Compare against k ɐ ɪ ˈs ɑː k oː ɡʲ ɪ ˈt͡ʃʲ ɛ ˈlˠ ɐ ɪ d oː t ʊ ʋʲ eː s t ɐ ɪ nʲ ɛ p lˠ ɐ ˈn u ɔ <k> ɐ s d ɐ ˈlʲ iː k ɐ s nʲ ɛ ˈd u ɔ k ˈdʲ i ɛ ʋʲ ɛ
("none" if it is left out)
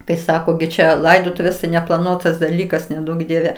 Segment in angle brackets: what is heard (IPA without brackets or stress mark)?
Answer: t